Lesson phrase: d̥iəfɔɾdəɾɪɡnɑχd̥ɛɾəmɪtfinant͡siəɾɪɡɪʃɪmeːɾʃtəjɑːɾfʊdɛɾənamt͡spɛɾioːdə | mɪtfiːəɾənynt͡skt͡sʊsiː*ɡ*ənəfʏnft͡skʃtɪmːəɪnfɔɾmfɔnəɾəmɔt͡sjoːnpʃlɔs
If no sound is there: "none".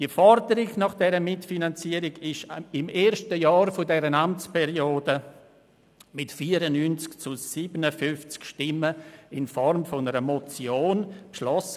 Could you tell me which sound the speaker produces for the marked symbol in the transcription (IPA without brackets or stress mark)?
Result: b